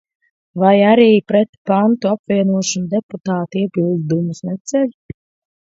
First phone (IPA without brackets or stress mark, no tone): v